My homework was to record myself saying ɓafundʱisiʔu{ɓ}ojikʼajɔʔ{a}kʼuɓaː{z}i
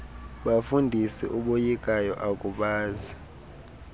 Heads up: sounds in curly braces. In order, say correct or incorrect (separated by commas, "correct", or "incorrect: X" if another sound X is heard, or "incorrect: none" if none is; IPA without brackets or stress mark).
correct, correct, correct